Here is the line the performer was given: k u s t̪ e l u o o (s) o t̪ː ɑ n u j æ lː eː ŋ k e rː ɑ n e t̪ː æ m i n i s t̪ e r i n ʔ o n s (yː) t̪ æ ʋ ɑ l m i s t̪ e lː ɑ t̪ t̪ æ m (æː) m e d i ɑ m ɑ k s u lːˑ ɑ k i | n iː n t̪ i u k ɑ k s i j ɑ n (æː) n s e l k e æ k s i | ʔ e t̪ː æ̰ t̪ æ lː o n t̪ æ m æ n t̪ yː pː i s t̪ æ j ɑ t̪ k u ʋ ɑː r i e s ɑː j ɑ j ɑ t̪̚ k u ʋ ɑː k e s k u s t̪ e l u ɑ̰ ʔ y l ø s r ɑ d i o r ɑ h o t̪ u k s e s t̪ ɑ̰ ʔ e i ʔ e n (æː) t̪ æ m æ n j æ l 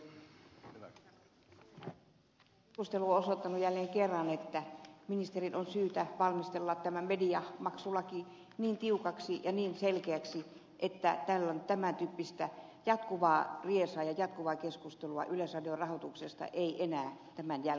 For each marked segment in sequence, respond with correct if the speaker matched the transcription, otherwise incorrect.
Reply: correct, correct, incorrect: æ, incorrect: iː, correct

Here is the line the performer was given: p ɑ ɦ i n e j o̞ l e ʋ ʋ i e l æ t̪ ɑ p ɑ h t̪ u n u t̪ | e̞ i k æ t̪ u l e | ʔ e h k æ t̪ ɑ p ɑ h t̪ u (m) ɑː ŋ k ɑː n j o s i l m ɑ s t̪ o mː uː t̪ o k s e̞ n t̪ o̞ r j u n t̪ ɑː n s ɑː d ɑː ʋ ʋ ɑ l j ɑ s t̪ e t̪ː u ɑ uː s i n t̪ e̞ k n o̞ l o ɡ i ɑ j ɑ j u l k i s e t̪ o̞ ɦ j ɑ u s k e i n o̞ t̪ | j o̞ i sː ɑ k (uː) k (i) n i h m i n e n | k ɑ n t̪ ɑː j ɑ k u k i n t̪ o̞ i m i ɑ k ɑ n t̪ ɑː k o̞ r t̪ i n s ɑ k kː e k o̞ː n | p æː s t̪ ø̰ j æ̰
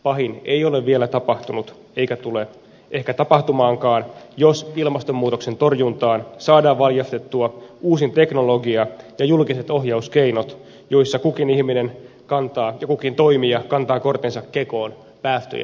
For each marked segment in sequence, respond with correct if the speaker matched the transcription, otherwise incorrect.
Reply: correct, incorrect: u, correct

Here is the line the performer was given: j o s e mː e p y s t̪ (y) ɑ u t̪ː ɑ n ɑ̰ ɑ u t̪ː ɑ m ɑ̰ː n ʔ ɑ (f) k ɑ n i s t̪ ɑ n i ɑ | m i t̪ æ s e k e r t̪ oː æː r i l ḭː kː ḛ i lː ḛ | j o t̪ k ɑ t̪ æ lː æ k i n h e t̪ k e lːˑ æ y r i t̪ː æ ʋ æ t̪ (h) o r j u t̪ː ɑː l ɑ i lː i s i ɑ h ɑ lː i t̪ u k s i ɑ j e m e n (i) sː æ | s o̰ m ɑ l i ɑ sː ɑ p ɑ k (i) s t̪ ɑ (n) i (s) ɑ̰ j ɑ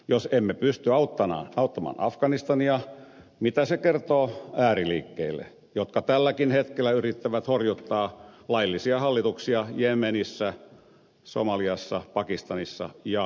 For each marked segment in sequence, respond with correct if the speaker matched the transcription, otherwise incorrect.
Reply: correct, correct, correct, correct, correct, correct, incorrect: sː

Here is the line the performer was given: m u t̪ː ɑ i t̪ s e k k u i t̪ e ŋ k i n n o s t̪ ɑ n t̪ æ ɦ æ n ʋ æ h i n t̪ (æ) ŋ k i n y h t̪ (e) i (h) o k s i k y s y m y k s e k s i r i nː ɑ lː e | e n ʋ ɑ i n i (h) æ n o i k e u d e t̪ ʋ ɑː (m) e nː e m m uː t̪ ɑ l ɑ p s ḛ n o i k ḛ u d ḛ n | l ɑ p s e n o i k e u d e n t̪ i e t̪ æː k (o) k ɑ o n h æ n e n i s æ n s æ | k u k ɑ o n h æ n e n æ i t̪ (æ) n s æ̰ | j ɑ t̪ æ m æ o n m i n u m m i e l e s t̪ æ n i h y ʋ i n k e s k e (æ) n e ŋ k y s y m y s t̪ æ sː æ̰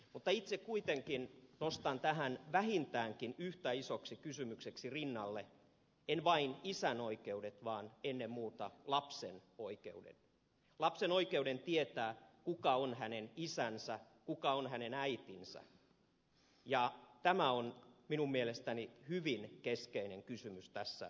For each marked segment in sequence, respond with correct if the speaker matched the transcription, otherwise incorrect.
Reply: incorrect: æː, incorrect: æ, incorrect: s, incorrect: s, incorrect: n, incorrect: u, incorrect: i, incorrect: i

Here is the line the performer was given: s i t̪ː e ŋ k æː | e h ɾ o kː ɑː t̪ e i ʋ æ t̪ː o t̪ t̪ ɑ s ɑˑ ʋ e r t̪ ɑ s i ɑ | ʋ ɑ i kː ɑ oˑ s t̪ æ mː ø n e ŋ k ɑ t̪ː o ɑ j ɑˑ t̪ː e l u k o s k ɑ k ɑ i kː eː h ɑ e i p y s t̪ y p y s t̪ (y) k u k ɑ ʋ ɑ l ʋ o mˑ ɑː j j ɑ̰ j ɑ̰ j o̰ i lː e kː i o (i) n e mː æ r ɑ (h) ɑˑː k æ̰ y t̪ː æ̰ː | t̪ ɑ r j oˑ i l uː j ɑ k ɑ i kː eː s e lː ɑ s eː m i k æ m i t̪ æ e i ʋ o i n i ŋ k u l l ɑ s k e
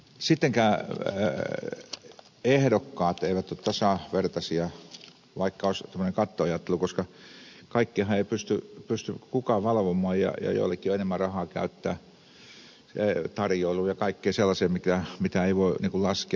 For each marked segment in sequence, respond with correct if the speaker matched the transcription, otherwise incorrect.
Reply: correct, incorrect: e, correct

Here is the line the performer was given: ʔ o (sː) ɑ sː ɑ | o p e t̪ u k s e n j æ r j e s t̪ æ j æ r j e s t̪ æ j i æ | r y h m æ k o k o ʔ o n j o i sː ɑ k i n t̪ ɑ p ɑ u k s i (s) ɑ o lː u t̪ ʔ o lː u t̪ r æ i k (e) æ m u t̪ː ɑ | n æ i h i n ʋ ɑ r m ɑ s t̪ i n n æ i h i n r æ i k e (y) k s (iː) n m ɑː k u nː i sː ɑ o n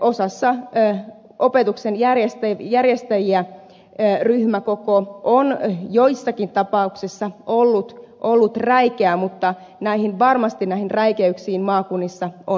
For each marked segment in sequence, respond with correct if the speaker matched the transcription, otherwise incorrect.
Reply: incorrect: s, incorrect: sː, correct, correct, correct

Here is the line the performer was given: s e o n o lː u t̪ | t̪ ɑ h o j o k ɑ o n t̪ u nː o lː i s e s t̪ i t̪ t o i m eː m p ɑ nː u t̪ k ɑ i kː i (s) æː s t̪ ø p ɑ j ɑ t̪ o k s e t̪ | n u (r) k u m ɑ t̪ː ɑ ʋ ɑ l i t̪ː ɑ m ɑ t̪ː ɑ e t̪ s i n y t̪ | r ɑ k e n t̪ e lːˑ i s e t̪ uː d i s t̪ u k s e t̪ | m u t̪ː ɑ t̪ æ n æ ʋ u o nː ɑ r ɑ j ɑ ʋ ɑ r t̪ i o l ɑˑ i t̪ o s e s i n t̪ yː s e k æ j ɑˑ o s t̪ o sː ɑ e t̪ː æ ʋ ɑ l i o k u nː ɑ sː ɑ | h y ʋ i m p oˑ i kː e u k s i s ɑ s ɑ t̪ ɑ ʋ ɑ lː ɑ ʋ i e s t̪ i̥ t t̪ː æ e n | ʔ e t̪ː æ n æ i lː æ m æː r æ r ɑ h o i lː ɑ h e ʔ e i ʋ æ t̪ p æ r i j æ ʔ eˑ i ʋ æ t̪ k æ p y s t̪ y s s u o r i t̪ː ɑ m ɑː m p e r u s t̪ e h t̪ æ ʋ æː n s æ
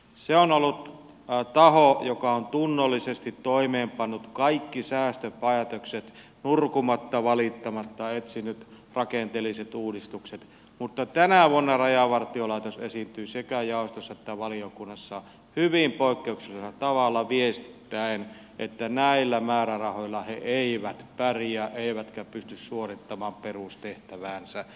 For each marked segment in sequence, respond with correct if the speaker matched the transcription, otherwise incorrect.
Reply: correct, correct

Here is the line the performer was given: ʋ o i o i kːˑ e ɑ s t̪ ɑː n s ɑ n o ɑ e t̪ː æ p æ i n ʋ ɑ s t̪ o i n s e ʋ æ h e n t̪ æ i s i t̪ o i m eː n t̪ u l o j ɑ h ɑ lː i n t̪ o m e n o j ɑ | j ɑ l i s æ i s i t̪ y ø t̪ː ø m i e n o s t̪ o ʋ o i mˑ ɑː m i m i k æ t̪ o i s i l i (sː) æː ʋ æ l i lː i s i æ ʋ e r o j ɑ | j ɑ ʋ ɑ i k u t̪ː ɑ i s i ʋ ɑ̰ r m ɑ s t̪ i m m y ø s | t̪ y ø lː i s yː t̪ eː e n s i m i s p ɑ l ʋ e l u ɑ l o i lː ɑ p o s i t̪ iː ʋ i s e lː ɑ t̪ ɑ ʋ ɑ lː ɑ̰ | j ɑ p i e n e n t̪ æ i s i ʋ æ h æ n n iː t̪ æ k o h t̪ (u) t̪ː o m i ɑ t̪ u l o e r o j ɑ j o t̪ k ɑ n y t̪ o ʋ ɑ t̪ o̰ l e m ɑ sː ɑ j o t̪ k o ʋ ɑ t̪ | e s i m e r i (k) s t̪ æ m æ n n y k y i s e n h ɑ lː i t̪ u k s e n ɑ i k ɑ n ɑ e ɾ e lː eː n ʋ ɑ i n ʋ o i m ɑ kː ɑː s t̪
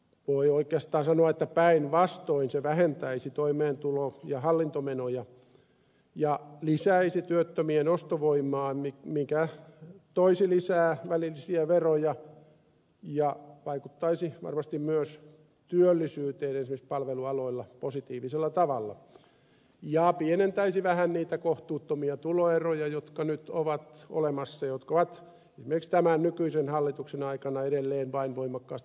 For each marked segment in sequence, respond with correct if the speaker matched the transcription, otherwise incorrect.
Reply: incorrect: s, incorrect: uː, correct

